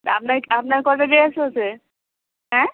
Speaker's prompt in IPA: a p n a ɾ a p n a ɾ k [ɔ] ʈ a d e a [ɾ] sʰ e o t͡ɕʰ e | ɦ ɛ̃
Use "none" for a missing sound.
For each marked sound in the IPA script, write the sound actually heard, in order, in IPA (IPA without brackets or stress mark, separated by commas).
ɔ, none